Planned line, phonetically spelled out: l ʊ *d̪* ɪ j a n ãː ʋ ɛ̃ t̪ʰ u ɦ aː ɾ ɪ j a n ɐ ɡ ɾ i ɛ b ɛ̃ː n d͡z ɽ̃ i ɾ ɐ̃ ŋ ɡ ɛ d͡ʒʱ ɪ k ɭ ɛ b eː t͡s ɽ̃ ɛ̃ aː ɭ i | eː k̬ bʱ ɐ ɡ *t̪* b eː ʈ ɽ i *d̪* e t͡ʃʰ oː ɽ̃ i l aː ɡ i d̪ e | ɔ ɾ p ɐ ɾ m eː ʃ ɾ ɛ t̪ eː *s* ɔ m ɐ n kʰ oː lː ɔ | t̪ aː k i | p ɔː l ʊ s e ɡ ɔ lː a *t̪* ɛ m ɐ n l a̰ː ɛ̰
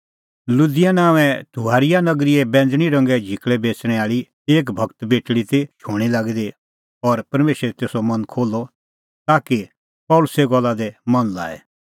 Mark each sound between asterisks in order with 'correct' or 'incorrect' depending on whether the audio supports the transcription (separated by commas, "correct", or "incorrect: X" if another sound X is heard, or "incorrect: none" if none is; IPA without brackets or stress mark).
correct, correct, incorrect: t̪, correct, incorrect: d̪